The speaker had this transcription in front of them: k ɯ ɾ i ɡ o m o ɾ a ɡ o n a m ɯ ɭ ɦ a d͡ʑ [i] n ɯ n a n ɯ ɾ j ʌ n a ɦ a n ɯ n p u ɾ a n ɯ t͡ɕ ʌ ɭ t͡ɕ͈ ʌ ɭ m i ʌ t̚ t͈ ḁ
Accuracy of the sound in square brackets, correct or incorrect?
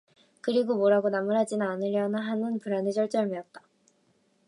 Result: correct